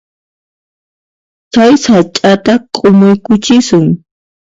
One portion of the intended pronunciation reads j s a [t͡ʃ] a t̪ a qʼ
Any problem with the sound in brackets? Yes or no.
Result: yes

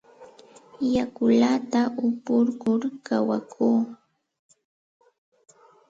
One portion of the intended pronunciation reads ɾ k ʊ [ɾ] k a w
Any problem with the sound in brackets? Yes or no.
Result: no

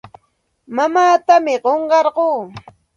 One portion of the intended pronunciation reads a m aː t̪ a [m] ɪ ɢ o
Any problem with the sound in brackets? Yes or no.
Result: no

